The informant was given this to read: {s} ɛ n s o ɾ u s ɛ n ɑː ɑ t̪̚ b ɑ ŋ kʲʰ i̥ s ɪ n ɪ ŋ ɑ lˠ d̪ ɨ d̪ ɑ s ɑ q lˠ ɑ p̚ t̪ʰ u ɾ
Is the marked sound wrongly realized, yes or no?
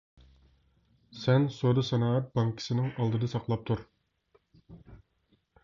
no